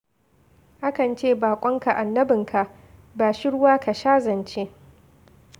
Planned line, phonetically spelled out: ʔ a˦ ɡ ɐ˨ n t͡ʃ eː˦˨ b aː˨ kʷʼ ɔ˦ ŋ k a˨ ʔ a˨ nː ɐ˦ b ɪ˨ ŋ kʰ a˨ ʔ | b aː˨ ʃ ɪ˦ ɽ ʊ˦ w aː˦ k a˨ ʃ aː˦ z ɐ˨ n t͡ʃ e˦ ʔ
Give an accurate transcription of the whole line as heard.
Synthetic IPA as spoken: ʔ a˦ k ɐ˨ n t͡ʃ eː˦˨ b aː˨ kʷʼ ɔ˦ ŋ k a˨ ʔ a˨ nː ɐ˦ b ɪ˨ ŋ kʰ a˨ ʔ | b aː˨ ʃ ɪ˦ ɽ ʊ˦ w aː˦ k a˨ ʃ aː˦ z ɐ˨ n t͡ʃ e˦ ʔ